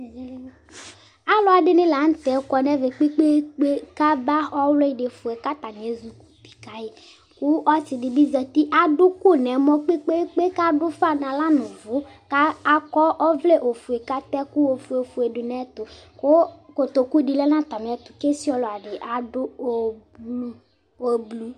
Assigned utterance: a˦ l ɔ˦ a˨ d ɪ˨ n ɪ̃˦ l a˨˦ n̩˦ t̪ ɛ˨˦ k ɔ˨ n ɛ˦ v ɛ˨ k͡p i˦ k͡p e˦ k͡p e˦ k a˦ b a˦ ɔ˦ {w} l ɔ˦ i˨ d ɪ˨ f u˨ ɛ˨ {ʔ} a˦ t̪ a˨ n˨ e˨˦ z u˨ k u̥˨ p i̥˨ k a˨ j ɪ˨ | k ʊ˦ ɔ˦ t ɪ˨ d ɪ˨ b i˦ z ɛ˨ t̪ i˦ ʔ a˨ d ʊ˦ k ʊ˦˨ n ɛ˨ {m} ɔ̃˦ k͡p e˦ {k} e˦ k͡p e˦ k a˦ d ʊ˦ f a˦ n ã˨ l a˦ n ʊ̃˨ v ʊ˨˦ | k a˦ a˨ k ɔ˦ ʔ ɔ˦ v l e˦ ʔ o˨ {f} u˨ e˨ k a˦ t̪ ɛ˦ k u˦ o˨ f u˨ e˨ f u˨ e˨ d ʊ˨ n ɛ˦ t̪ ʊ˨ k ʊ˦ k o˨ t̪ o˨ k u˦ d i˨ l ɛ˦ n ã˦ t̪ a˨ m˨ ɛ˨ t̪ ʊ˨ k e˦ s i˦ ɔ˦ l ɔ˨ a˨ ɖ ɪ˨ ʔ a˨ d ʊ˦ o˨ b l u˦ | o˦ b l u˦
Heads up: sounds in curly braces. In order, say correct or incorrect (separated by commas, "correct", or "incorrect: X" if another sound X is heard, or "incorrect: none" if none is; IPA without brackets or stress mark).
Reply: correct, incorrect: k, correct, incorrect: k͡p, correct